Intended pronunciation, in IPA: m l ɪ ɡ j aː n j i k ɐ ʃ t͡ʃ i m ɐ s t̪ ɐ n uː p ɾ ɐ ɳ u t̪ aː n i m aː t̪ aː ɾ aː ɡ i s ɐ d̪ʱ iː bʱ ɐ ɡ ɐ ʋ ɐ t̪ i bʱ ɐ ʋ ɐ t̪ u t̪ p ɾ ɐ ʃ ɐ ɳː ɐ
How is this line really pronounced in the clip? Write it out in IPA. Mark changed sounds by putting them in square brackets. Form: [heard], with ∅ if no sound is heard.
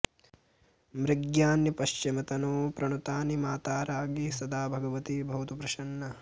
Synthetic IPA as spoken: m [ɾ] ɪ ɡ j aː n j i [p] ɐ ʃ t͡ʃ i m ɐ [∅] t̪ ɐ n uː p ɾ ɐ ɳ u t̪ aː n i m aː t̪ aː ɾ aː ɡ i s ɐ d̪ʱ [aː] bʱ ɐ ɡ ɐ ʋ ɐ t̪ i bʱ ɐ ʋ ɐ t̪ u [∅] p ɾ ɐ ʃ ɐ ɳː ɐ